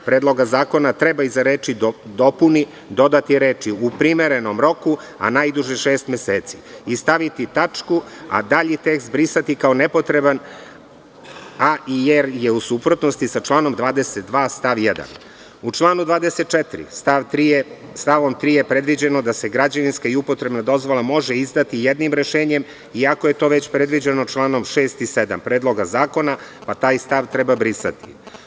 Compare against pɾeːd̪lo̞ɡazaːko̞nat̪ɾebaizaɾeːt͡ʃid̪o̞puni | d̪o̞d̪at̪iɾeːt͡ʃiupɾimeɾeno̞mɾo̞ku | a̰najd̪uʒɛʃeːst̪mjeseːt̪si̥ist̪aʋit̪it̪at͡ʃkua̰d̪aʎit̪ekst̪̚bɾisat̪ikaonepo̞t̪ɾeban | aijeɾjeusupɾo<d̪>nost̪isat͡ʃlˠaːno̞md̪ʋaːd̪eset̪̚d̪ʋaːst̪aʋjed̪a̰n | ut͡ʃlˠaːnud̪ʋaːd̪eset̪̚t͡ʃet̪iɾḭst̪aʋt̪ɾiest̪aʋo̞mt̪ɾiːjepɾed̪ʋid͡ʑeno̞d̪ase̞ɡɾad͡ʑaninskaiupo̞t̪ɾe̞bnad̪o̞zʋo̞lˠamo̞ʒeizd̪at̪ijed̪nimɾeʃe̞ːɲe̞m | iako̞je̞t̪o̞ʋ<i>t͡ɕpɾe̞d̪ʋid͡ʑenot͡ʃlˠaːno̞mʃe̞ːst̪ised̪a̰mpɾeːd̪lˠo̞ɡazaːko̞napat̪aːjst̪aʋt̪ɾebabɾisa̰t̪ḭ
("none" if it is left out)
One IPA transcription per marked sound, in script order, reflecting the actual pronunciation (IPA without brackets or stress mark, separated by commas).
t̪, e